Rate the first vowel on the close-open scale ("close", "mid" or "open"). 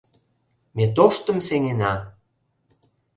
mid